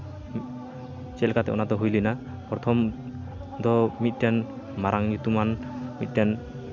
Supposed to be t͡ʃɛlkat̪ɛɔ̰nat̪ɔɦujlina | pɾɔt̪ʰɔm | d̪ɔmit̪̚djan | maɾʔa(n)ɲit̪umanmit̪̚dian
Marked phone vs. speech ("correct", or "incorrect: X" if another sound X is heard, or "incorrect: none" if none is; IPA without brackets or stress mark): incorrect: ŋ